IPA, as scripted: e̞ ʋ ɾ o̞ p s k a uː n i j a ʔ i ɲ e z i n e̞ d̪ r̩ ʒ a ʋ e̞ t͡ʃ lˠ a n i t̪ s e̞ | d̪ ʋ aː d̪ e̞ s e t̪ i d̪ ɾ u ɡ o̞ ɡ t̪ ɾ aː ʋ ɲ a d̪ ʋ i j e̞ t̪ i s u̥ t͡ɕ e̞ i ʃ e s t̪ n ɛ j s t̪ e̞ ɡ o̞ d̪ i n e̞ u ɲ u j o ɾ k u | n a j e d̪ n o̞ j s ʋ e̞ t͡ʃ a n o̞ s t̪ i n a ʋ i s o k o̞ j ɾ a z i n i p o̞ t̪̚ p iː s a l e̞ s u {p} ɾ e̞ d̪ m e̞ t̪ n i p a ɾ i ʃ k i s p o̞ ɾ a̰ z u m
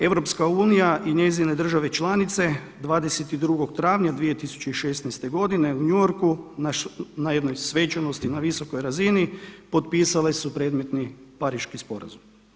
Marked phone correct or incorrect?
correct